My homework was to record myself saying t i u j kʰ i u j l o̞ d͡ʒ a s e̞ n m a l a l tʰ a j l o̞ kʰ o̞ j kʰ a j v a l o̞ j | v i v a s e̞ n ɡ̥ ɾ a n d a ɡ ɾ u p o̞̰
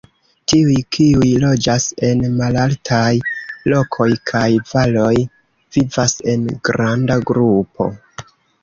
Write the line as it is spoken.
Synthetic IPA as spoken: t i u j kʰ i u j l o̞ d͡ʒ a s e̞ n m a l a l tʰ a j l o̞ kʰ o̞ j kʰ a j v a l o̞ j | v i v a s e̞ n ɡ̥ ɾ a n d a ɡ ɾ u p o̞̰

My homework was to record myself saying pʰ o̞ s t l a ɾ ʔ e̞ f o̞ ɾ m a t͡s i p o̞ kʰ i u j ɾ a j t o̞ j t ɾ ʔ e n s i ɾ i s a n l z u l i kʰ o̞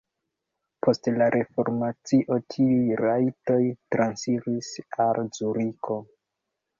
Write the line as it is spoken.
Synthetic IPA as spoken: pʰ o̞ s t l a ɾ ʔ e̞ f o̞ ɾ m a t͡s i ʔ o̞ tʰ i u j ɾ a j t o̞ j t ɾ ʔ a n s i ɾ i s a l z u ɾ i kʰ o̞

